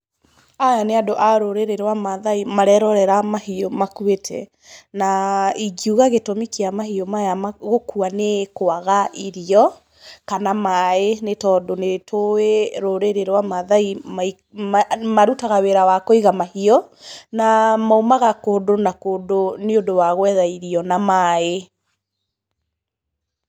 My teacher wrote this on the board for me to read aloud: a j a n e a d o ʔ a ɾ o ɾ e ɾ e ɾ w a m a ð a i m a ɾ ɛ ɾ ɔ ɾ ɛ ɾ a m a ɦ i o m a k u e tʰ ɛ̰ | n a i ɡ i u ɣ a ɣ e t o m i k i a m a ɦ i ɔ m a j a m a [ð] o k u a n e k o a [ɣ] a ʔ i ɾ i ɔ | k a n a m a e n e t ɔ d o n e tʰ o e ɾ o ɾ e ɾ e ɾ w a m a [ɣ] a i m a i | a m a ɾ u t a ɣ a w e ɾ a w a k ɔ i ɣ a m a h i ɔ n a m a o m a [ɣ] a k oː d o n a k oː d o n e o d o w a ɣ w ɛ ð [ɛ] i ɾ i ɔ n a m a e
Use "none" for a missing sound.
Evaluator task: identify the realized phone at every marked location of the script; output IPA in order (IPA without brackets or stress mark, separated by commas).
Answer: ɣ, ɣ, ð, ɣ, a